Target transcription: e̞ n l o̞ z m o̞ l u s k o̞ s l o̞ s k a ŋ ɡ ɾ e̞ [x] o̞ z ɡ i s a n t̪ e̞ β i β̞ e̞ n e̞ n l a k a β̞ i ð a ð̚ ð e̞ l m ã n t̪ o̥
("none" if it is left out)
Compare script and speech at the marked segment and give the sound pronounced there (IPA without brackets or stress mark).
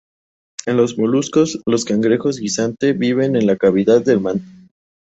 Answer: x